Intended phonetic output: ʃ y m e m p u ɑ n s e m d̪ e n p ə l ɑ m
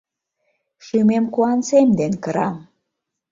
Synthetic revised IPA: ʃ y m e m k u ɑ n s e m d̪ e n k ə ɾ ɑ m